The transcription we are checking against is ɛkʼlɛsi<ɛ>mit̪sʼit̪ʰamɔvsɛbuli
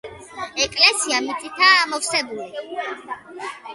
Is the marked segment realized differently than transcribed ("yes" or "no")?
yes